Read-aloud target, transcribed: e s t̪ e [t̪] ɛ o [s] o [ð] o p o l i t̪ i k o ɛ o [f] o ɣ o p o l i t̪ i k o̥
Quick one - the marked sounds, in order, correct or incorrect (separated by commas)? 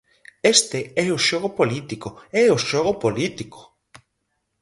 incorrect, incorrect, incorrect, incorrect